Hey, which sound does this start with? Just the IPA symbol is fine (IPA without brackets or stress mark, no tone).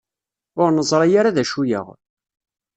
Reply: ʊ